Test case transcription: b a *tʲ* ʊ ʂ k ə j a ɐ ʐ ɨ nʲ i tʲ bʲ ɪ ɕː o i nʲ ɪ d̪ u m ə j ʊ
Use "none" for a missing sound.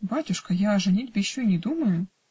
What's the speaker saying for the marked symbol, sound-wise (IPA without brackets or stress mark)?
tʲ